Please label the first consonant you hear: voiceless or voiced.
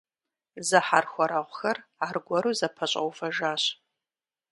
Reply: voiced